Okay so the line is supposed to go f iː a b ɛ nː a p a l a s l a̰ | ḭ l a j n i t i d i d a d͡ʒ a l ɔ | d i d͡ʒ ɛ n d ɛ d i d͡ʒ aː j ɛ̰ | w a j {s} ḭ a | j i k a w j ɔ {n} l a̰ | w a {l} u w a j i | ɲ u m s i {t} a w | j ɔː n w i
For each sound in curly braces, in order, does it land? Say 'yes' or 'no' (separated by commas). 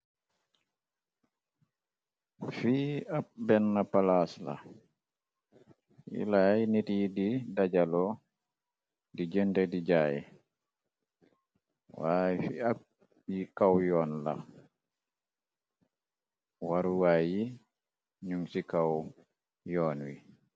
no, yes, no, no